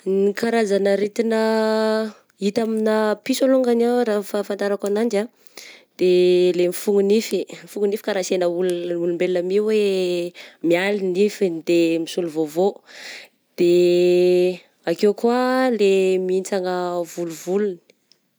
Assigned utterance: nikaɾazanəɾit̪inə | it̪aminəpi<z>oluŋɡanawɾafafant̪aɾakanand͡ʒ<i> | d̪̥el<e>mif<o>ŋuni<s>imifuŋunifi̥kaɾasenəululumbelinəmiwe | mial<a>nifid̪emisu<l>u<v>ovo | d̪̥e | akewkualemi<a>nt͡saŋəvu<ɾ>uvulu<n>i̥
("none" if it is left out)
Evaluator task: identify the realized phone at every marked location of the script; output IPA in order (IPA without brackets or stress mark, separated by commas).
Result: s, a, e, u, f, i, l, v, i, l, n